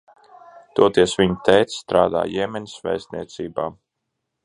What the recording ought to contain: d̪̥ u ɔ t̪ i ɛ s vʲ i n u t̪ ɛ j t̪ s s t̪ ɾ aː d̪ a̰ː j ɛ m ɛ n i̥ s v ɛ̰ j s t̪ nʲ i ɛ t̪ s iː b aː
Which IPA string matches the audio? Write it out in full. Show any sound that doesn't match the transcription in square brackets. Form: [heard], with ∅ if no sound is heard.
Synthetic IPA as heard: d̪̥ u ɔ t̪ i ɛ s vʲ i [ɲ] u t̪ ɛ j t̪ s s t̪ ɾ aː d̪ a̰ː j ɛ m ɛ n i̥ s v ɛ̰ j s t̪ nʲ i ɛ t̪ s iː b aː